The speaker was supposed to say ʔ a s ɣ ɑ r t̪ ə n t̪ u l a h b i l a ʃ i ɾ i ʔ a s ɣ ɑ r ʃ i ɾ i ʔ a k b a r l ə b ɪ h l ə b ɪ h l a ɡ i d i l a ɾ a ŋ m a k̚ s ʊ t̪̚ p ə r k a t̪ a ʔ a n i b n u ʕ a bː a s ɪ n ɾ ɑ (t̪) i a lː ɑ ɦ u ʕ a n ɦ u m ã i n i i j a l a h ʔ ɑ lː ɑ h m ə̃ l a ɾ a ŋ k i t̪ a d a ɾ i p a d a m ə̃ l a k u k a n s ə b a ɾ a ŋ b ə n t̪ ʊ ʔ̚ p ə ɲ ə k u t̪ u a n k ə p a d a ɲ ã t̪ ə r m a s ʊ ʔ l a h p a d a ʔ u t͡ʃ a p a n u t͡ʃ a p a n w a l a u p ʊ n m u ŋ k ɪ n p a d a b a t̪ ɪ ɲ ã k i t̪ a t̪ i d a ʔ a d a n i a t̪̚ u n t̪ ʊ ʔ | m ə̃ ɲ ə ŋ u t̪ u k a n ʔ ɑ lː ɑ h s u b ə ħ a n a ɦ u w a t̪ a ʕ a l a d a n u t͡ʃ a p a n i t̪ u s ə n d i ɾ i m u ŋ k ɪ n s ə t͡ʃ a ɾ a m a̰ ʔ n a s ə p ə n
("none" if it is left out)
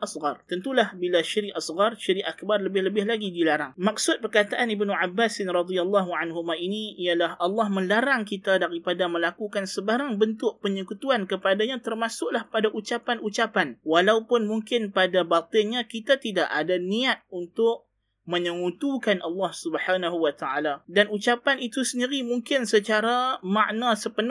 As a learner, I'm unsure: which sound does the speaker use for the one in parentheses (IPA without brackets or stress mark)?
d̪